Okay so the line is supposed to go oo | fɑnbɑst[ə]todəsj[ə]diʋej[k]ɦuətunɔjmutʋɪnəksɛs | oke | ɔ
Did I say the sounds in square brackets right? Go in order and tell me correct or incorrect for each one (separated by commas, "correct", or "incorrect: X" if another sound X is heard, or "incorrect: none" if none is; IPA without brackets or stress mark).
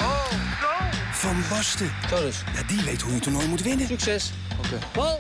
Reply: correct, incorrect: a, incorrect: t